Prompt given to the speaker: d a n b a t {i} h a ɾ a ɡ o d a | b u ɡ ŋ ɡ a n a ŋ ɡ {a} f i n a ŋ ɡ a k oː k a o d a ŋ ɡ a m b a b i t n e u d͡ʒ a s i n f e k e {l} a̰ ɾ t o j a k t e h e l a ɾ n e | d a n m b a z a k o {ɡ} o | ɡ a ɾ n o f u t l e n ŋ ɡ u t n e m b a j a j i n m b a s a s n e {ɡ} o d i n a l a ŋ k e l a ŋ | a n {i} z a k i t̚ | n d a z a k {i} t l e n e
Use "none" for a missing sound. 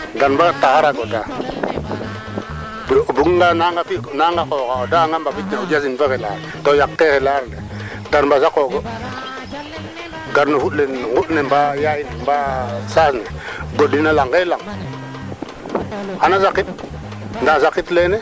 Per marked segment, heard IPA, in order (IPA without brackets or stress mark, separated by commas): a, a, l, ɡ, ɡ, a, i